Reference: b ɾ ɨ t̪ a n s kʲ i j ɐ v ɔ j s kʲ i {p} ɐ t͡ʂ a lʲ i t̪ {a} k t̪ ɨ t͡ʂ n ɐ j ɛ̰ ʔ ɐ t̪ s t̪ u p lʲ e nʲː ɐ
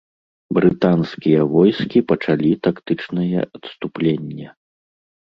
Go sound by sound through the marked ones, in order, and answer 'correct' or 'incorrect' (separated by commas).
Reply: correct, correct